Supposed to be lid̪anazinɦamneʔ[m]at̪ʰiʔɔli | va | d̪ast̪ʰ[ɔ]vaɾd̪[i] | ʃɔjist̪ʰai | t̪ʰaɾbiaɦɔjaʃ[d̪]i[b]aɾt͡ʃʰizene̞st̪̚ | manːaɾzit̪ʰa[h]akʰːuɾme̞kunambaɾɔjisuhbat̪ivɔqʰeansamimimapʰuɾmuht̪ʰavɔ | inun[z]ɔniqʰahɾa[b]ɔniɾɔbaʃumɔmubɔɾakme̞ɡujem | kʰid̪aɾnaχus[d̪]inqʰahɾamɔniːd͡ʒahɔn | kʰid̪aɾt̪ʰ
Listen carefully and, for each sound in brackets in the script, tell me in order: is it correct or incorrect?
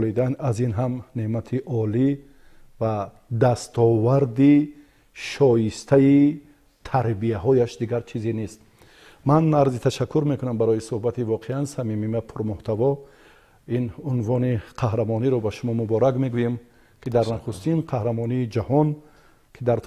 correct, correct, correct, correct, incorrect, incorrect, incorrect, incorrect, incorrect

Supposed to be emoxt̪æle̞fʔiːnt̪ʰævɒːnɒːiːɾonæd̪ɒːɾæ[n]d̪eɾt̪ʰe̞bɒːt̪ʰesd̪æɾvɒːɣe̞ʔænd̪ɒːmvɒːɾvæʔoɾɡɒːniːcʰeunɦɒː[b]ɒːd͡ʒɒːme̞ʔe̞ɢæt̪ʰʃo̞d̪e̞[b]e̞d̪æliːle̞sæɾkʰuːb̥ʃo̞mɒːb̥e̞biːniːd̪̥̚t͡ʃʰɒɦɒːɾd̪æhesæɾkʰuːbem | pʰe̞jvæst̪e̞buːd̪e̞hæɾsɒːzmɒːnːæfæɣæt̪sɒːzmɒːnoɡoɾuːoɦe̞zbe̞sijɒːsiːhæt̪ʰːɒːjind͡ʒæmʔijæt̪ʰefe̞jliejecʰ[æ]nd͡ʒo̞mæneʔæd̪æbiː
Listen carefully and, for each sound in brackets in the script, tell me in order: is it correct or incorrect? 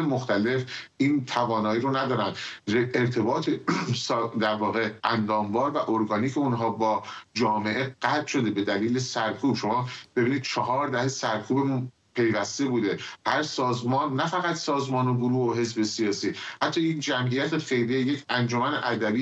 correct, correct, correct, correct

